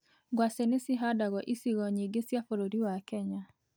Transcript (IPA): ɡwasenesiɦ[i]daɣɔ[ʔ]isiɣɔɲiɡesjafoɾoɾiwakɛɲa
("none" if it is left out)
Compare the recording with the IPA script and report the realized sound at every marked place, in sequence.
a, ʔ

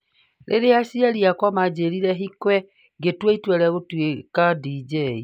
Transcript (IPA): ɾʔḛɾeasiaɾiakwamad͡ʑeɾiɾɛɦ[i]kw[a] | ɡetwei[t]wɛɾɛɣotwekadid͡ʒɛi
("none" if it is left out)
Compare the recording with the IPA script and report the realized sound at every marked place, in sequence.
i, ɛ, t

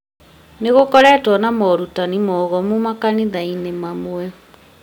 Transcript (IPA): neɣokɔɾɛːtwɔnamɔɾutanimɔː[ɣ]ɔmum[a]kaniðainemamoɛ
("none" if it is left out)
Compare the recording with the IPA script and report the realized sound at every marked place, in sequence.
ɣ, a

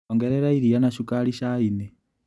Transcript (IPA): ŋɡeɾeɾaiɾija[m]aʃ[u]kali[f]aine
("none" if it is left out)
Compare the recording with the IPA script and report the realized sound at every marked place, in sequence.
n, u, ʃ

